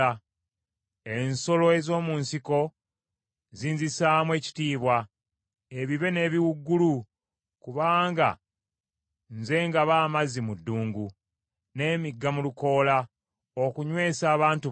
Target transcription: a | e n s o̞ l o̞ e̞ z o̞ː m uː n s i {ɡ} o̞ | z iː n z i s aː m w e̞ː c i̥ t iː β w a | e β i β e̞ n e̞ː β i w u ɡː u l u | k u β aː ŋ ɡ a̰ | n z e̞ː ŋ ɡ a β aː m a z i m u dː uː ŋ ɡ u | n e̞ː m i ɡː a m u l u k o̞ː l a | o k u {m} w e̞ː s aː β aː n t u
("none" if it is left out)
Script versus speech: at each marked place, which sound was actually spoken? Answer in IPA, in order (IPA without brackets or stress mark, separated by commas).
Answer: k, ɲ